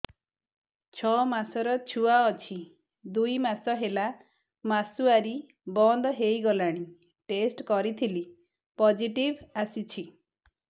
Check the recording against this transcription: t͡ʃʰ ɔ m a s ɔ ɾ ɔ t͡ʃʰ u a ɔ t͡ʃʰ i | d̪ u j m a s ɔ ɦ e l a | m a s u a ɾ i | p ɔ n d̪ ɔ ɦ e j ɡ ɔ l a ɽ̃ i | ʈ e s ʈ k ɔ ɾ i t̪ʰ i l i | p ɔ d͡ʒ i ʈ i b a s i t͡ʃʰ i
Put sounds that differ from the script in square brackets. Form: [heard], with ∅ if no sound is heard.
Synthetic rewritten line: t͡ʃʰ ɔ m a s ɔ ɾ ɔ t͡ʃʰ u a ɔ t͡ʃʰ i | d̪ u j m a s ɔ ɦ e l a | m a s u a ɾ i | [b] ɔ n d̪ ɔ ɦ e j ɡ ɔ l a ɽ̃ i | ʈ e s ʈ k ɔ ɾ i t̪ʰ i l i | p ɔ d͡ʒ i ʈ i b a s i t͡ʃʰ i